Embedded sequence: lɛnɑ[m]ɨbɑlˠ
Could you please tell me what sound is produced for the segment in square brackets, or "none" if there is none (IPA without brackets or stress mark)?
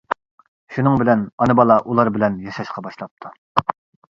n